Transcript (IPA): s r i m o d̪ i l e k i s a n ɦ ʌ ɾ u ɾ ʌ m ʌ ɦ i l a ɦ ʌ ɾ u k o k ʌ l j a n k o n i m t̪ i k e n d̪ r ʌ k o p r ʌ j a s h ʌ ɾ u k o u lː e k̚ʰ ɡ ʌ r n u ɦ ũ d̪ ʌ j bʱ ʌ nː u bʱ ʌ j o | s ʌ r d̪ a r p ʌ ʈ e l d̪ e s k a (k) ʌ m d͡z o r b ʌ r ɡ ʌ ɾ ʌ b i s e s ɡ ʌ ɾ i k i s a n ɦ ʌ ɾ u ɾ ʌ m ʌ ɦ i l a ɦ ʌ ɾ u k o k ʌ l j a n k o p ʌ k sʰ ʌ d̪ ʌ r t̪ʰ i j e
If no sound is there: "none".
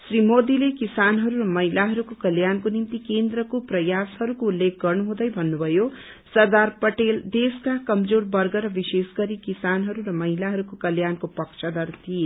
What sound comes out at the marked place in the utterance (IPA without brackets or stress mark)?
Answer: k